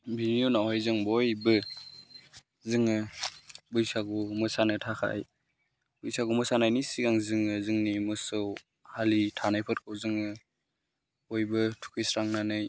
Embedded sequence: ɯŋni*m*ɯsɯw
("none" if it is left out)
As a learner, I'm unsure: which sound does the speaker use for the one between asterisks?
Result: m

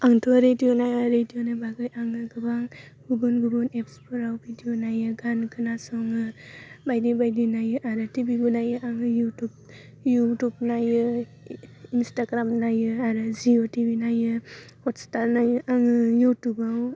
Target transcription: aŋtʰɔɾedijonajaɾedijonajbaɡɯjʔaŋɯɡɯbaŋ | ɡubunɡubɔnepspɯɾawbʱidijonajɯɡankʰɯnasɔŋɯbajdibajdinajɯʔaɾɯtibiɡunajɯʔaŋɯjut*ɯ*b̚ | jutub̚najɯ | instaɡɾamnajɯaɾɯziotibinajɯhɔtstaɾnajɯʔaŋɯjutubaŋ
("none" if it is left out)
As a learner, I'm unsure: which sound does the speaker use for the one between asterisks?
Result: u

